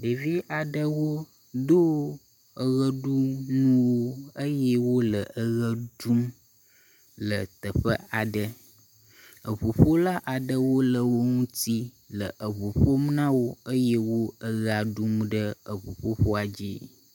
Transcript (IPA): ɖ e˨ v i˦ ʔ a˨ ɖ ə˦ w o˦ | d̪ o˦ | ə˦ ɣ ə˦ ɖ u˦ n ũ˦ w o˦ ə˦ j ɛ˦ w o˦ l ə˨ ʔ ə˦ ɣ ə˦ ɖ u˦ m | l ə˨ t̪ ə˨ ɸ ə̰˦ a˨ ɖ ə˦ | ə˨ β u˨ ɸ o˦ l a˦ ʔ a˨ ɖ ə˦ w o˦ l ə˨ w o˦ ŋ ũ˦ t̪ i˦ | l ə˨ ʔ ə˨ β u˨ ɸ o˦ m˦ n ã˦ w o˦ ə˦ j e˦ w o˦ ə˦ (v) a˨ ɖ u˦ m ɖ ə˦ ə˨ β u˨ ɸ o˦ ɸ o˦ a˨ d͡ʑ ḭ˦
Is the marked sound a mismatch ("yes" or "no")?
yes